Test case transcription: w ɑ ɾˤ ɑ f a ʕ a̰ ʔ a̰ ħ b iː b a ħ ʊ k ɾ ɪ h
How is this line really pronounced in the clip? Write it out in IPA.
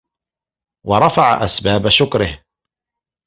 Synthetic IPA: w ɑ ɾˤ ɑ f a ʕ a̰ ʔ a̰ s b aː b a ʃ ʊ k ɾ ɪ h